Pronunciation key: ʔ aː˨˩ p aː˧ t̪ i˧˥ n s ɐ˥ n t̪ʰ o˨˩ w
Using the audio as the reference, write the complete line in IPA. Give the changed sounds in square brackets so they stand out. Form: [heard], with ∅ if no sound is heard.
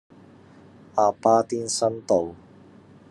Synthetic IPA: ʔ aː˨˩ p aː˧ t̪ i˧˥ n s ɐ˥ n [t̪] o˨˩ w